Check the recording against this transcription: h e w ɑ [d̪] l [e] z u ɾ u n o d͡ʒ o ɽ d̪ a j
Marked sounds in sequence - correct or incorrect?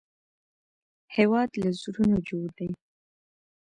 correct, incorrect

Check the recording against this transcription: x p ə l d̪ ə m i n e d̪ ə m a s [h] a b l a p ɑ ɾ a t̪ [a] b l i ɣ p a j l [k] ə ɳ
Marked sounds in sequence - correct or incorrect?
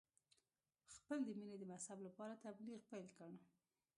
correct, correct, correct

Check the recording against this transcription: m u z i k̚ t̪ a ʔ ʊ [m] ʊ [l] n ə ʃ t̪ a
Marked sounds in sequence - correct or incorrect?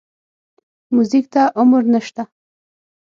correct, incorrect

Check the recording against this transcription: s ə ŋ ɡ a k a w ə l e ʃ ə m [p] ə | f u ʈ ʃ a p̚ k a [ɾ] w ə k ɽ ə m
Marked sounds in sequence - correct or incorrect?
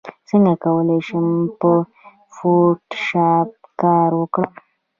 correct, correct

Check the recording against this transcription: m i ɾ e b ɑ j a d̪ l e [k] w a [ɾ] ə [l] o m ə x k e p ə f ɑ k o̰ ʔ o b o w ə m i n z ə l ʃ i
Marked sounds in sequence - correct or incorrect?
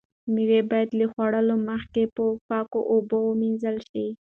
incorrect, incorrect, correct

